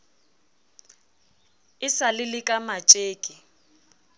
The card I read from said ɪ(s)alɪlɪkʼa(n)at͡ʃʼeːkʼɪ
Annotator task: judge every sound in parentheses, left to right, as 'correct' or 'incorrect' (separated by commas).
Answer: correct, incorrect